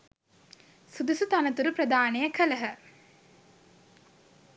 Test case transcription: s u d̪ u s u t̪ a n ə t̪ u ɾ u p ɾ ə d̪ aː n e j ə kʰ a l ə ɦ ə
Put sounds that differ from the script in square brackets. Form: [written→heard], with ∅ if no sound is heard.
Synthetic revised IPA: s u d̪ u s u t̪ a n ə t̪ u ɾ u p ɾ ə d̪ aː n e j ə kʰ [a→ə] l ə ɦ ə